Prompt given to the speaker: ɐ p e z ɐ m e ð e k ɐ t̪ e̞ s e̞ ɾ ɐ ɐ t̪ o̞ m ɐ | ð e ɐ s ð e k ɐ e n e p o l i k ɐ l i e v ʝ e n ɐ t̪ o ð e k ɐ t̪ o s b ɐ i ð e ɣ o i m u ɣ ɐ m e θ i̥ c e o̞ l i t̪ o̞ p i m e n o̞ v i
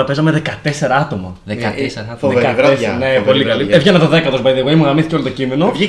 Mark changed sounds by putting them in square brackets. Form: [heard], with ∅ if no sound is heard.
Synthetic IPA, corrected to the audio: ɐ p e z ɐ m e ð e k ɐ t̪ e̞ s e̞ ɾ ɐ ɐ t̪ o̞ m ɐ | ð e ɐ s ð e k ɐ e n e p o l i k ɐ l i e v ʝ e n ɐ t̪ o ð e k ɐ t̪ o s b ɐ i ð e ɣ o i m u ɣ ɐ m [i] θ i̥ c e o̞ l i t̪ o̞ [c] i m e n o̞ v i